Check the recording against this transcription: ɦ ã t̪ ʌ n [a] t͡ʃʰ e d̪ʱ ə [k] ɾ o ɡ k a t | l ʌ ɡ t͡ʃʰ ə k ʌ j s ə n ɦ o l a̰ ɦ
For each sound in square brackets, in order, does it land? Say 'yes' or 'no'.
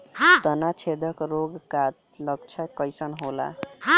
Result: yes, yes

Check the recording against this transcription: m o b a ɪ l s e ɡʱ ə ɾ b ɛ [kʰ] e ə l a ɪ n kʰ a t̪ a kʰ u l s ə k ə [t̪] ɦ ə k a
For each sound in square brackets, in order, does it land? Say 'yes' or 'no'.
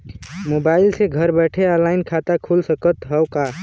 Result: no, yes

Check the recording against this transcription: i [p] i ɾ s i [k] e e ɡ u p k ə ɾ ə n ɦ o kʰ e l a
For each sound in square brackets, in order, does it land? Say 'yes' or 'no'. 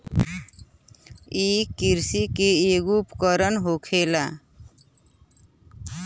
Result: no, yes

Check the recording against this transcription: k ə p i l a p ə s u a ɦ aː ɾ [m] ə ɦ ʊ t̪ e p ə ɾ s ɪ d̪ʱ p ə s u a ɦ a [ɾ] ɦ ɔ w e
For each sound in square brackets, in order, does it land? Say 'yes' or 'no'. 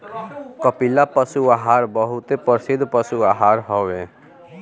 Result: no, yes

